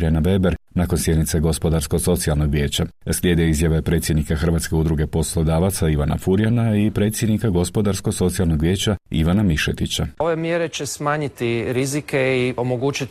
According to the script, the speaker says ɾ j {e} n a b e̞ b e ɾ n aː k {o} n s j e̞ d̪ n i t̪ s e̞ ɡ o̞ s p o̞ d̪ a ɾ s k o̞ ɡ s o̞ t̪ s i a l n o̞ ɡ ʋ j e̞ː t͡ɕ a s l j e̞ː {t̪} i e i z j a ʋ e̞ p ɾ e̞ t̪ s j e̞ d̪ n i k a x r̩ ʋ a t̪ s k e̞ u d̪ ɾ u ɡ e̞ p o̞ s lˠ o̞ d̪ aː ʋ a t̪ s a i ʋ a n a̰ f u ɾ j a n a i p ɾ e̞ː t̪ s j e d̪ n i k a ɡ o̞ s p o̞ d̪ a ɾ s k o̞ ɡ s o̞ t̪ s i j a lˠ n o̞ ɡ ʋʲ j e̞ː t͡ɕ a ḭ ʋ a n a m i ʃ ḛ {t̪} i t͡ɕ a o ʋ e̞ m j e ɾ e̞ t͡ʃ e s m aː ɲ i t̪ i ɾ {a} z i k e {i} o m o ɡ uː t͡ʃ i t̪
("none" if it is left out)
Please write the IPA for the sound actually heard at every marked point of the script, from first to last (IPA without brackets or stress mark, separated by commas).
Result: a, o, d̪, t̪, i, i